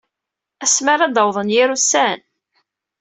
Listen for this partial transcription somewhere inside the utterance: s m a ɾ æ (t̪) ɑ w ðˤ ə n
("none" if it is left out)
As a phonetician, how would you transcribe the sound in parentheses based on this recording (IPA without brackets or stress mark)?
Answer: d̪